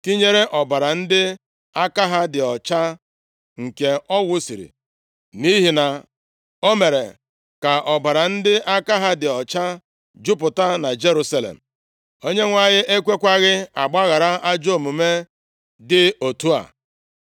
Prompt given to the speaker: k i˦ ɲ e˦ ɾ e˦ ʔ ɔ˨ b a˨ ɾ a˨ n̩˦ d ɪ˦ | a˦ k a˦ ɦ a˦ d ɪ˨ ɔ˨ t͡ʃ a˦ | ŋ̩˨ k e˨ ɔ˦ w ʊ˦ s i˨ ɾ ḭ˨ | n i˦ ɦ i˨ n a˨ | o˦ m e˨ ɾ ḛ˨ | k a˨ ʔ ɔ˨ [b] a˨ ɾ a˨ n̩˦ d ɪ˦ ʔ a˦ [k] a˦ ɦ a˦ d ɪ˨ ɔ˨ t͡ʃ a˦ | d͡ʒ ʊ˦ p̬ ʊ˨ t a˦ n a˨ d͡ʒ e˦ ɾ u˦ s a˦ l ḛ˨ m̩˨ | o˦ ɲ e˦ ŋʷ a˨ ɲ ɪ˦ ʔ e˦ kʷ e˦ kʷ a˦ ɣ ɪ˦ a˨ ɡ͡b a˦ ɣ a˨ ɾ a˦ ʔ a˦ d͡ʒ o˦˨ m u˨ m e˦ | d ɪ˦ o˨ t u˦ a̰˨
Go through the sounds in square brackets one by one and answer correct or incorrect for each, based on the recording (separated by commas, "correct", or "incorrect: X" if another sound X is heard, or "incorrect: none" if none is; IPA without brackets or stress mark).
correct, correct